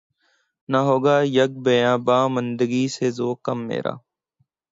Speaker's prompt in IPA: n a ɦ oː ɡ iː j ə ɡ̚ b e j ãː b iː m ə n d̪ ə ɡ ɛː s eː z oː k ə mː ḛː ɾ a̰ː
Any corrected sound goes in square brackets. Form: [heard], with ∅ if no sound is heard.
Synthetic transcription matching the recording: n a ɦ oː ɡ [aː] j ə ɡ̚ b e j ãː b [aː] m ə n d̪ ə ɡ [iː] s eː z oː k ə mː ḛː ɾ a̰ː